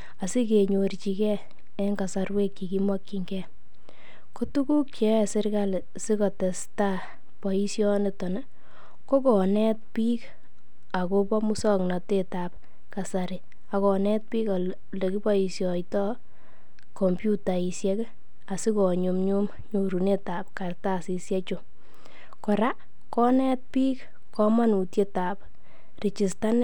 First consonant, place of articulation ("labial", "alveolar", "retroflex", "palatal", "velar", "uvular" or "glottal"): alveolar